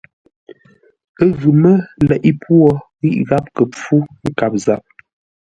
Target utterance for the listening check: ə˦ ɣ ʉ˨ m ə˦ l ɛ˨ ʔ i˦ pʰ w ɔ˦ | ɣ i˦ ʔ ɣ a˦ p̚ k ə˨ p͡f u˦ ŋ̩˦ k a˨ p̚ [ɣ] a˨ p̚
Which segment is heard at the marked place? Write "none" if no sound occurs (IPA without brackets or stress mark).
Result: z